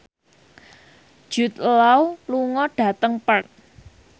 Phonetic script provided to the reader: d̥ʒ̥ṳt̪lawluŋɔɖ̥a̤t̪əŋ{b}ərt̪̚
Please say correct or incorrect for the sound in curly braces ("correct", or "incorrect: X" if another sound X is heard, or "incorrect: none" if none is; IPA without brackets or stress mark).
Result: incorrect: p